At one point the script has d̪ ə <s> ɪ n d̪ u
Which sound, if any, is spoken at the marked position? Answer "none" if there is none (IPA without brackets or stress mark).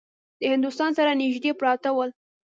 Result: h